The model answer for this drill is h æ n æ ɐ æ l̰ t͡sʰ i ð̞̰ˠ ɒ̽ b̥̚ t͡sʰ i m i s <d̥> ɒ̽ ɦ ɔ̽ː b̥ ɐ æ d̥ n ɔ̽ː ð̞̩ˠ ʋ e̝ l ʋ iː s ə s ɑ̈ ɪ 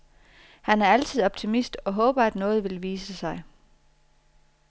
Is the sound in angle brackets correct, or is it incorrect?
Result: correct